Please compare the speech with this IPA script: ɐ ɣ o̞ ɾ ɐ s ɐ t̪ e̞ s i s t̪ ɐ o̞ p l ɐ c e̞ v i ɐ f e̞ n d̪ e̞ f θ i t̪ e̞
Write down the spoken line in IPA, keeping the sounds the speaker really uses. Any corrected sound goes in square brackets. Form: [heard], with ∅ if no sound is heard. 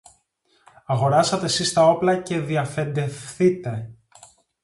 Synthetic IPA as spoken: ɐ ɣ o̞ ɾ ɐ s ɐ t̪ e̞ s i s t̪ ɐ o̞ p l ɐ c e̞ [ð] i ɐ f e̞ n d̪ e̞ f θ i t̪ e̞